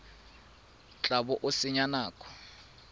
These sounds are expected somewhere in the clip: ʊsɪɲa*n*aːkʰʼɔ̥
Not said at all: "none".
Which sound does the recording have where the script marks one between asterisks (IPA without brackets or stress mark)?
n